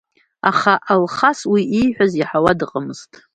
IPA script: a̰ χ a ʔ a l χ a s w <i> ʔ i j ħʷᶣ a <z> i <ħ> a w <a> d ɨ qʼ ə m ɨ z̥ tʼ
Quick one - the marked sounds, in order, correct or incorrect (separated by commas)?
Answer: correct, correct, correct, correct